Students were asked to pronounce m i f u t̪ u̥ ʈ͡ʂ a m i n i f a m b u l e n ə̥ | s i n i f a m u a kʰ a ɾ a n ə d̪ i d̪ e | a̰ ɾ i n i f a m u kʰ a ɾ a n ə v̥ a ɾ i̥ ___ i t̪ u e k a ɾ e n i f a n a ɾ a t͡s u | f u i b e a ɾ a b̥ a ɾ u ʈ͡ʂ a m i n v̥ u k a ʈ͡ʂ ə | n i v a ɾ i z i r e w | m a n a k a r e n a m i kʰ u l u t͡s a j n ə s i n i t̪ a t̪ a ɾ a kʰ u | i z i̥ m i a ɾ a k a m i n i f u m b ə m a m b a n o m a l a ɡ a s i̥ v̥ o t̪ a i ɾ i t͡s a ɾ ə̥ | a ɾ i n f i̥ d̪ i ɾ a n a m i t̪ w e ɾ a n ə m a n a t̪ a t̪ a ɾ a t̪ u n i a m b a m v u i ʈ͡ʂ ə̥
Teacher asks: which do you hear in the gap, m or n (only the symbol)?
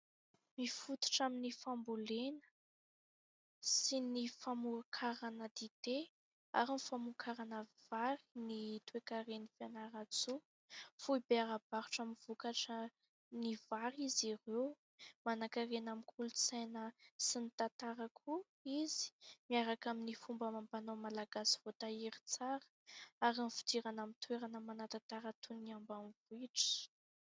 n